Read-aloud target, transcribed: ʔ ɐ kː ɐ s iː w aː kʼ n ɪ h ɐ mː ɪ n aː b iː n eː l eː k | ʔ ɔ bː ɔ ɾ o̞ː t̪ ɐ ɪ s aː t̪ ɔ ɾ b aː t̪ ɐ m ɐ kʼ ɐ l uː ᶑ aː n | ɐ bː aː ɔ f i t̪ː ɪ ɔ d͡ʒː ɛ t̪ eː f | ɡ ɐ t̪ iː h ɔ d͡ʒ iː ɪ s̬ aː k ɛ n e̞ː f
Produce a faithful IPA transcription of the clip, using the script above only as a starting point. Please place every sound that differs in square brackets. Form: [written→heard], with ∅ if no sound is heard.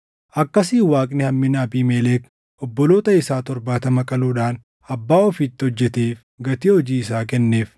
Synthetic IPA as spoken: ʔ ɐ kː ɐ s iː w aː kʼ n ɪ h ɐ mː ɪ n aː b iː [n→m] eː l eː k | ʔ ɔ bː ɔ [ɾ→l] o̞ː t̪ ɐ ɪ s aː t̪ ɔ ɾ b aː t̪ ɐ m ɐ kʼ ɐ l uː ᶑ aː n | ɐ bː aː ɔ f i t̪ː ɪ ɔ d͡ʒː ɛ t̪ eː f | ɡ ɐ t̪ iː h ɔ d͡ʒ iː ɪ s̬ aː k ɛ [n→nː] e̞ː f